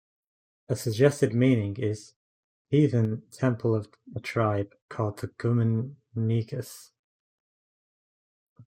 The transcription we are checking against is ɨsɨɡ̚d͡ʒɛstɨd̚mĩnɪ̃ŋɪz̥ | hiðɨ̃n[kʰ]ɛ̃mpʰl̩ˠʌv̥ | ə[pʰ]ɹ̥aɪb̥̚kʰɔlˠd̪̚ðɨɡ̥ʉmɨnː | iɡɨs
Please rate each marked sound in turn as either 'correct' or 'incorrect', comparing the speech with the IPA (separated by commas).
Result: incorrect, incorrect